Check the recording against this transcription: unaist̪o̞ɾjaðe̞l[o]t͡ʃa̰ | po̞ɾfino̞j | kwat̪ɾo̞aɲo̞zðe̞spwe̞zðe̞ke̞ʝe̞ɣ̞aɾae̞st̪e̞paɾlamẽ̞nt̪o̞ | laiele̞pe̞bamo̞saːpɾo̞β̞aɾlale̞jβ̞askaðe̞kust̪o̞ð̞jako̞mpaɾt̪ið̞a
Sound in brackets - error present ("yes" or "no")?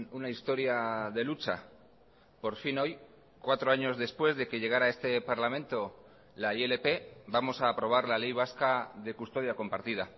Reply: yes